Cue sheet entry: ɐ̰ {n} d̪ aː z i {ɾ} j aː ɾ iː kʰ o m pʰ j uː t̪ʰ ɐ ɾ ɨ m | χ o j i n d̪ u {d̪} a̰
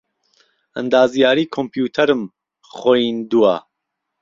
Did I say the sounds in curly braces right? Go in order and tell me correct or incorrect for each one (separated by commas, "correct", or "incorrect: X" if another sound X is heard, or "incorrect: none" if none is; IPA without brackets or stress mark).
correct, incorrect: none, incorrect: none